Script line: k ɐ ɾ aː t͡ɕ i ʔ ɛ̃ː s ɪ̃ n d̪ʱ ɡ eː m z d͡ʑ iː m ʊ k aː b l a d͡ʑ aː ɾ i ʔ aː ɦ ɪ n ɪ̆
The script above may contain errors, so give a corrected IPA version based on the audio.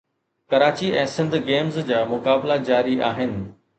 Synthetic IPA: k ɐ ɾ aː t͡ɕ i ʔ ɛ̃ː s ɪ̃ n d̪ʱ ɡ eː m z d͡ʑ aː m ʊ k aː b l a d͡ʑ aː ɾ i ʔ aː ɦ ɪ n ɪ̆